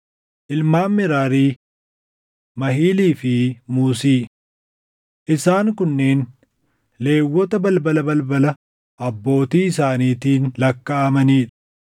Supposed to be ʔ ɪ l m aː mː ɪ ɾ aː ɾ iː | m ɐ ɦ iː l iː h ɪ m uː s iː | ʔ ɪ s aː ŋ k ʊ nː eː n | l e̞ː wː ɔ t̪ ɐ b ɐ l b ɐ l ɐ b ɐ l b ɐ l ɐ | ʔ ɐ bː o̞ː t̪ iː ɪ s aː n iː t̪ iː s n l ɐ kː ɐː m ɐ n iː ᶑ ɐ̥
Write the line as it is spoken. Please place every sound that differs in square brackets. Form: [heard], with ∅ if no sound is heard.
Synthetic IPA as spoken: ʔ ɪ l m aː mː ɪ ɾ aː ɾ iː | m ɐ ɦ iː l iː [f] ɪ m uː s iː | ʔ ɪ s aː ŋ k ʊ nː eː n | l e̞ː wː ɔ t̪ ɐ b ɐ l b ɐ l ɐ b ɐ l b ɐ l ɐ | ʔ ɐ bː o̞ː t̪ iː ɪ s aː n iː t̪ iː [∅] n l ɐ kː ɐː m ɐ n iː ᶑ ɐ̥